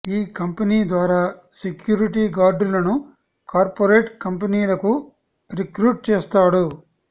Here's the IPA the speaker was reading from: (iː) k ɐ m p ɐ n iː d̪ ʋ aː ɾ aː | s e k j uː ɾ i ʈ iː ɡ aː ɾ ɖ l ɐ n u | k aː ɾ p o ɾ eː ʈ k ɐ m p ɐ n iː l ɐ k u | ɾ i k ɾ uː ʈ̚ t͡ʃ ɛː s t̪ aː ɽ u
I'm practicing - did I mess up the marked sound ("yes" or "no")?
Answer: no